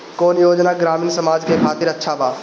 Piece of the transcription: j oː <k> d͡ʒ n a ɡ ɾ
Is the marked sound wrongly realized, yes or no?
yes